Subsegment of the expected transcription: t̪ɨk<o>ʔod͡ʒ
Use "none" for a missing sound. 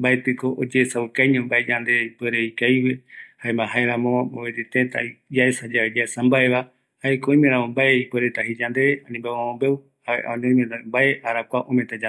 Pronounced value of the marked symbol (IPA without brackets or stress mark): o